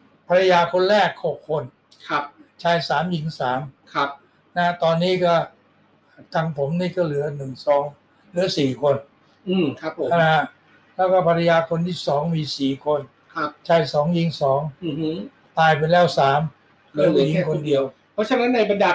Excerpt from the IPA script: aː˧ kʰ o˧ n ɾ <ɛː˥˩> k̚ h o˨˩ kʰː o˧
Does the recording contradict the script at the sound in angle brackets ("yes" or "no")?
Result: no